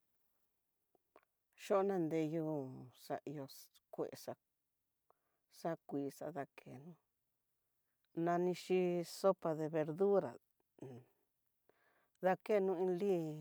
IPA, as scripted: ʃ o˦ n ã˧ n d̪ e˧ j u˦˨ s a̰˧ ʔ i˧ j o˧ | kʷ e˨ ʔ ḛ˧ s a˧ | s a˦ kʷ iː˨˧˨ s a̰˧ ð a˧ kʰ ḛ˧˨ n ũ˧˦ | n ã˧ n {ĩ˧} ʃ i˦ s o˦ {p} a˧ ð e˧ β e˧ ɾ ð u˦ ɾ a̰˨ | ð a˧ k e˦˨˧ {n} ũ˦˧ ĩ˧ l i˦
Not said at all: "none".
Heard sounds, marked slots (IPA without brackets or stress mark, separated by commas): ĩ˧, p, n